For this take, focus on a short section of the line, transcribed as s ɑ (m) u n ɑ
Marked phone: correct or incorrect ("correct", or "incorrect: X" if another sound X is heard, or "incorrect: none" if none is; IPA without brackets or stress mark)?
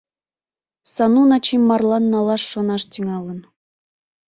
incorrect: n